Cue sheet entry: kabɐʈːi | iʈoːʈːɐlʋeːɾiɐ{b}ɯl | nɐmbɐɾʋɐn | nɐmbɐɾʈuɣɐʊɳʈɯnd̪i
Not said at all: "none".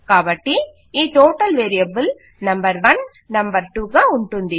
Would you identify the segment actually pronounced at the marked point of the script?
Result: b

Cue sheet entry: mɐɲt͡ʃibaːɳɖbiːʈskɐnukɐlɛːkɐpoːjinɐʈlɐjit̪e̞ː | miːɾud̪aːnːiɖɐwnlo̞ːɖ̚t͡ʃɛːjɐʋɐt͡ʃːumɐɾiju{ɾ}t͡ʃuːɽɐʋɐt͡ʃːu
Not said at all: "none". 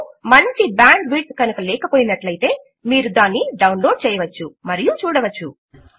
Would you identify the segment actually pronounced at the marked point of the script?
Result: none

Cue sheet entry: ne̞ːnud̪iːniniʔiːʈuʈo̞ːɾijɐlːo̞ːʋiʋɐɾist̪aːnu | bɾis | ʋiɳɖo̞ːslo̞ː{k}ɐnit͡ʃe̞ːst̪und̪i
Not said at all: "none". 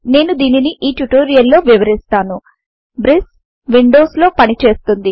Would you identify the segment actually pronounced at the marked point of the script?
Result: p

